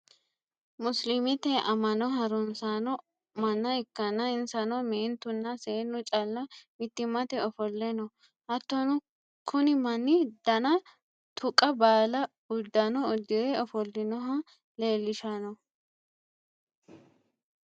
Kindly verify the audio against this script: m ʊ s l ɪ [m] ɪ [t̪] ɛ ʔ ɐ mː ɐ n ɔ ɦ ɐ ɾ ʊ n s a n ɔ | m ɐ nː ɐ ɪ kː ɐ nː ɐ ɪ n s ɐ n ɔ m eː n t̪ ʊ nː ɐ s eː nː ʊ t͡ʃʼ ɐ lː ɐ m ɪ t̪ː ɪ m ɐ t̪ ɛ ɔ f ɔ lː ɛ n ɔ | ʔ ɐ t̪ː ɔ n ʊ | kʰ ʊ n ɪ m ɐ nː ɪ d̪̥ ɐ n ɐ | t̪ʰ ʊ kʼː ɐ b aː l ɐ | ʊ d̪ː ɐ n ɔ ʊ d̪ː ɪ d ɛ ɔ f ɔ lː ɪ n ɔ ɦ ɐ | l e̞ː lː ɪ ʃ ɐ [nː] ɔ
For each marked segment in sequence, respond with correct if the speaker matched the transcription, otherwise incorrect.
correct, correct, incorrect: n

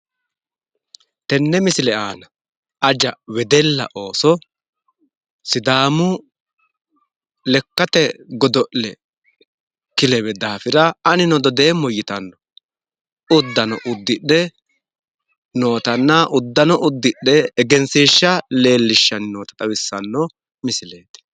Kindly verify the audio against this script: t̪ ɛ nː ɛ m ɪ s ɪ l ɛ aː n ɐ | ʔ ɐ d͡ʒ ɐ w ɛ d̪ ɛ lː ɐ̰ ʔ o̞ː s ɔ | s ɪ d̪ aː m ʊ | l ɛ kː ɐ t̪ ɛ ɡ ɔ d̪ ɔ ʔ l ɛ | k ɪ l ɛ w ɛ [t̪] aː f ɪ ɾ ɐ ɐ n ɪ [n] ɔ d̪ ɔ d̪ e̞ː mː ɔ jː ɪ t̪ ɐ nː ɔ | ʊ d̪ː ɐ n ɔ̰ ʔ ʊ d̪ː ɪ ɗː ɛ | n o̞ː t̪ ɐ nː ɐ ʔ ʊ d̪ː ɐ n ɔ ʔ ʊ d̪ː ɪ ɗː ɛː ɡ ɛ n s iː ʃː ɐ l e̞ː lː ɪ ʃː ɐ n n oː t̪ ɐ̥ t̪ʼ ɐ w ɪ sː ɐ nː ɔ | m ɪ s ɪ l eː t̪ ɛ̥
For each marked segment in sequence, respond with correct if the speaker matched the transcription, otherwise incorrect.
incorrect: d̪, correct

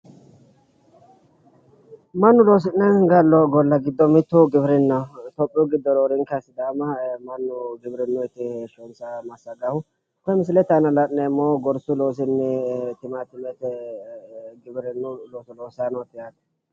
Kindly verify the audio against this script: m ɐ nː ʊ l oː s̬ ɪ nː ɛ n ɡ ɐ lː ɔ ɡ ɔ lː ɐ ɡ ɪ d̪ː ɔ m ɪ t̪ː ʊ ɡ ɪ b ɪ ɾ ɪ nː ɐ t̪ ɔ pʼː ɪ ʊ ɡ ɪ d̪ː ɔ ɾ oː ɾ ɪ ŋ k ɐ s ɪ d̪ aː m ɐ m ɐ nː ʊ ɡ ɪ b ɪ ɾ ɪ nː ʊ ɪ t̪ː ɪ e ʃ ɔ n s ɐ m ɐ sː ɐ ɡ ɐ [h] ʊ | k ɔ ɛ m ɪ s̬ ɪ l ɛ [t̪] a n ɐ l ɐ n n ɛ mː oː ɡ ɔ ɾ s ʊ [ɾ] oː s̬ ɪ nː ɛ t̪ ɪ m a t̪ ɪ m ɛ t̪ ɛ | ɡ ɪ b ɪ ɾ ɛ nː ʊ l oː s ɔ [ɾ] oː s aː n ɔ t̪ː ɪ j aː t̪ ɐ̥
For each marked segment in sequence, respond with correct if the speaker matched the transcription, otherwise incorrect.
correct, correct, incorrect: l, incorrect: l

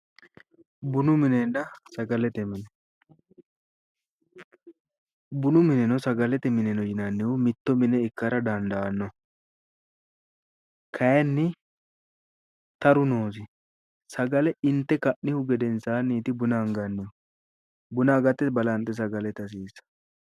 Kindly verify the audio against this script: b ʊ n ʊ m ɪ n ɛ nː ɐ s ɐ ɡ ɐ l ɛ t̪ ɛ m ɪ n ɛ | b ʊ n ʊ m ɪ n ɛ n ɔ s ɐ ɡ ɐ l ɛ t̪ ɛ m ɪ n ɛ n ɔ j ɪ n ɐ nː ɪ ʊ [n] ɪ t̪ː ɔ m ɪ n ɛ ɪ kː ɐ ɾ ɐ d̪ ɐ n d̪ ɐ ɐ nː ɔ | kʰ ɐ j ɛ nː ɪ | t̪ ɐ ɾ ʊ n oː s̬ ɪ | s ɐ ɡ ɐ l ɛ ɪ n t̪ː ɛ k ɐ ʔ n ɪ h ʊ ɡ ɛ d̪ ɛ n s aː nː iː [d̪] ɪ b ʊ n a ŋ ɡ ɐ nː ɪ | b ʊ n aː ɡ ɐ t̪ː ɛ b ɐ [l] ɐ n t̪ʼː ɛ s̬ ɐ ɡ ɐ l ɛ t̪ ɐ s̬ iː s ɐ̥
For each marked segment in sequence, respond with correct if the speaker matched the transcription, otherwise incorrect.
incorrect: m, incorrect: t̪, correct

